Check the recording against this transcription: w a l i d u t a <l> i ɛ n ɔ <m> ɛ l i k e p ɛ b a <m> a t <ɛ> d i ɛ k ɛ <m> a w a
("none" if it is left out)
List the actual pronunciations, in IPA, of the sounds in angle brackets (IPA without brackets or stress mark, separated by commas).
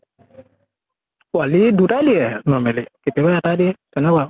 l, m, none, a, n